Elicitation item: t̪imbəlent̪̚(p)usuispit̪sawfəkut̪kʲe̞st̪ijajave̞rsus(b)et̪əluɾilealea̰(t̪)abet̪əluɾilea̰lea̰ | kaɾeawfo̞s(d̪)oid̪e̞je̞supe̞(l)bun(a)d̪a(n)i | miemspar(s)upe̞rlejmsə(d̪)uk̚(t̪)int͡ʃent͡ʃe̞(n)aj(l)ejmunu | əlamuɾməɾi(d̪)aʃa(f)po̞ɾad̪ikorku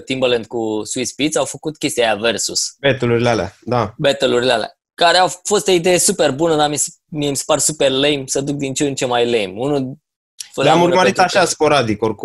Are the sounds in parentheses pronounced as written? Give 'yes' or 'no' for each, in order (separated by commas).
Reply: no, yes, no, no, no, no, no, yes, yes, no, no, yes, no, no